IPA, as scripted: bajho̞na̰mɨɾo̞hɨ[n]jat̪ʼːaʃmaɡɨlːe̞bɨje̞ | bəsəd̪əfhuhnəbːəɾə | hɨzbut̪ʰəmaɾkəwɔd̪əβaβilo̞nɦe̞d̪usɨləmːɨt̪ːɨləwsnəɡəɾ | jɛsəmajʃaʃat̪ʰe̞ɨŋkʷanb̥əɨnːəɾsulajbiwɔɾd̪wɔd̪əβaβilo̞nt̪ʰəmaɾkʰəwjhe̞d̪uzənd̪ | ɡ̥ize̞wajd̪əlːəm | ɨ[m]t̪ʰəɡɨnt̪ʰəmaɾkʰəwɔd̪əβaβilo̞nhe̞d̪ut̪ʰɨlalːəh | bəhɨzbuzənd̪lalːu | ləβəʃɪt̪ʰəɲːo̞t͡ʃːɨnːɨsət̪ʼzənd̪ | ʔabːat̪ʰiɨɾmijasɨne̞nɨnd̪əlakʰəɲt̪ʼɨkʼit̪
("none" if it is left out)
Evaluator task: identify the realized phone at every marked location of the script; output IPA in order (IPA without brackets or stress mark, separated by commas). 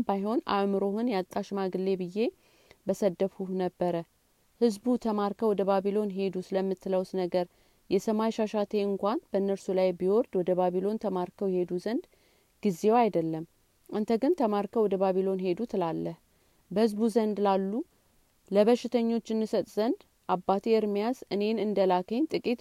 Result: n, n